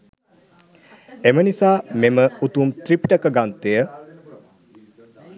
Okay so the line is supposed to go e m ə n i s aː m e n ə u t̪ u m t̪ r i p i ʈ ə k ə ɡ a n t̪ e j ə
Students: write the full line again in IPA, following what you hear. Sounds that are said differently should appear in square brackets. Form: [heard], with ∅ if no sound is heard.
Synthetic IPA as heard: e m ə n i s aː m e [m] ə u t̪ u m t̪ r i p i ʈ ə k ə ɡ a n t̪ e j ə

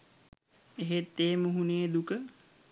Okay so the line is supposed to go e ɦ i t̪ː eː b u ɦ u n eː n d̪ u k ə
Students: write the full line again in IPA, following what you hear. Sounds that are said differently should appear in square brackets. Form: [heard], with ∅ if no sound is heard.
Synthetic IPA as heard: e ɦ [e] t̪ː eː [m] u ɦ u n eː [∅] d̪ u k ə

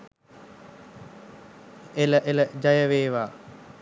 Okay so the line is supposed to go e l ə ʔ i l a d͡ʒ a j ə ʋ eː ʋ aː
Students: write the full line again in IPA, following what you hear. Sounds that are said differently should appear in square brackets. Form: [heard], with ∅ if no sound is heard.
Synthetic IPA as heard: e l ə ʔ [e] l [ə] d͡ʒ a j ə ʋ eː ʋ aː

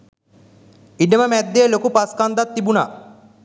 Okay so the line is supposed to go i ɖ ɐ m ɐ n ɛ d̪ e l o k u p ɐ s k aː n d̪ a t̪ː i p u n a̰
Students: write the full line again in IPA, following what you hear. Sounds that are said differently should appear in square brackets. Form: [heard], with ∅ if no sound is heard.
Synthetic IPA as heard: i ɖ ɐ m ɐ [m] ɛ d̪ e l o k u p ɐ s k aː n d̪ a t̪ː i [b] u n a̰

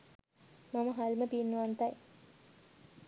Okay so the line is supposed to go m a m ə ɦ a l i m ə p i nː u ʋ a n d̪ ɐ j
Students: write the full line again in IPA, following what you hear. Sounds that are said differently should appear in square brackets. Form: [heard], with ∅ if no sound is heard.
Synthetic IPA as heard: m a m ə ɦ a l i m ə p i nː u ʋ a n [t̪] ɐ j

